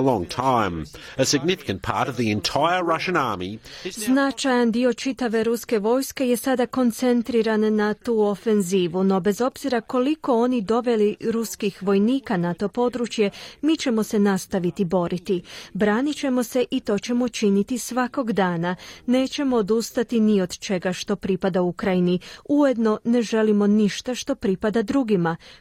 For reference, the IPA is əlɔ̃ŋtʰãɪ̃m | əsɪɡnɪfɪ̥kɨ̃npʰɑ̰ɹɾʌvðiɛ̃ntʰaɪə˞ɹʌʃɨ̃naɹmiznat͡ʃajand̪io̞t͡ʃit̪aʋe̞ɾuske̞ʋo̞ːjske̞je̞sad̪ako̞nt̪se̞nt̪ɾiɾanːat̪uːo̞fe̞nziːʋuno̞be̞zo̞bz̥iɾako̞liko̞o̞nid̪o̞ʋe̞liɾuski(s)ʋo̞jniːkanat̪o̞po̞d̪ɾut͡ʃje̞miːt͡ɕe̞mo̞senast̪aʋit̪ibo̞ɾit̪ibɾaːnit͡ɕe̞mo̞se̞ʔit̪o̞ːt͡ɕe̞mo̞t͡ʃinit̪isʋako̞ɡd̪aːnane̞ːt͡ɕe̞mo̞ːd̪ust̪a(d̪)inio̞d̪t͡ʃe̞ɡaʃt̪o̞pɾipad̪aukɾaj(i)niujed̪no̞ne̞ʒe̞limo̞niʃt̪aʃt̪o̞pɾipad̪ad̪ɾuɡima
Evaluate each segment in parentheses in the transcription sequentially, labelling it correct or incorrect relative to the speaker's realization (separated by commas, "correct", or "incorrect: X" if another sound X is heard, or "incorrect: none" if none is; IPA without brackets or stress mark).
incorrect: x, incorrect: t̪, correct